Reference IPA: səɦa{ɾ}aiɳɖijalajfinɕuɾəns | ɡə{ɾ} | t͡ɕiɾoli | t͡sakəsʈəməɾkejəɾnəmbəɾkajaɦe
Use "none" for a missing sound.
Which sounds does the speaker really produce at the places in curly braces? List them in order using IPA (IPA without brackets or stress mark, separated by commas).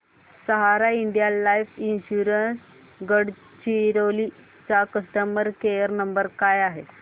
ɾ, ɽ